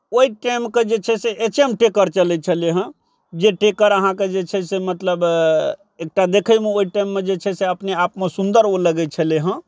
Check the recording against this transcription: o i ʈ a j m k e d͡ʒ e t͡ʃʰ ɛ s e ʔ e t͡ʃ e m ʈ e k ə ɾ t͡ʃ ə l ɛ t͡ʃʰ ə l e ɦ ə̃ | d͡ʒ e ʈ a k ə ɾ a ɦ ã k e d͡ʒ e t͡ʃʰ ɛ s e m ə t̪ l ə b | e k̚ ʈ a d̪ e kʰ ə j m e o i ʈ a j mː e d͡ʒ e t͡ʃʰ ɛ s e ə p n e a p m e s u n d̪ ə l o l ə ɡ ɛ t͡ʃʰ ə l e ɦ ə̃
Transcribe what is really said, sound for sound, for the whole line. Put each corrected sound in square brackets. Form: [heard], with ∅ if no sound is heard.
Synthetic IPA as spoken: o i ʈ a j m k e d͡ʒ e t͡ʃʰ ɛ s e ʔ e t͡ʃ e m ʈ e k ə ɾ t͡ʃ ə l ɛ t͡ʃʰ ə l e ɦ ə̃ | d͡ʒ e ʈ [e] k ə ɾ [ə] ɦ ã k e d͡ʒ e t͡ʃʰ ɛ s e m ə t̪ l ə b | e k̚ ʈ a d̪ e kʰ ə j m e o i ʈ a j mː e d͡ʒ e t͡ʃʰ ɛ s e ə p n e a p m e s u n d̪ ə [ɾ] o l ə ɡ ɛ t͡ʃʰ ə l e ɦ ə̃